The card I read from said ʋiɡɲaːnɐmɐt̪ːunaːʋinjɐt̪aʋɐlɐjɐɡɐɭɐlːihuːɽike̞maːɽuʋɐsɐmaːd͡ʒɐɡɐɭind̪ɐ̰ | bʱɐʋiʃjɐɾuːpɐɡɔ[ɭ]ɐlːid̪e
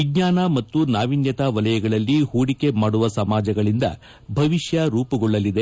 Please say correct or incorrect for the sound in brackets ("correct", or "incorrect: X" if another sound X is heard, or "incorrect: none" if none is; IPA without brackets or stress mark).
incorrect: ɭː